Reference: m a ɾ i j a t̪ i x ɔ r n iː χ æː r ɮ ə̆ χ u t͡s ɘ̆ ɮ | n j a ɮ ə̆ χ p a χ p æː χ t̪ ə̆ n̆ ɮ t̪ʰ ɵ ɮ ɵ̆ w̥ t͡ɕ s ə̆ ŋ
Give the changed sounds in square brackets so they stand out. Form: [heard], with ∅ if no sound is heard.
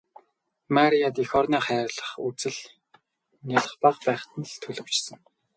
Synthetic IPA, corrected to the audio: m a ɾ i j a t̪ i x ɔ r n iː χ æː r ɮ ə̆ χ u t͡s ɘ̆ ɮ | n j a ɮ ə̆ χ p a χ p æː χ t̪ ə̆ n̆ ɮ t̪ʰ ɵ ɮ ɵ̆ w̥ t͡ɕ s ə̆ ŋ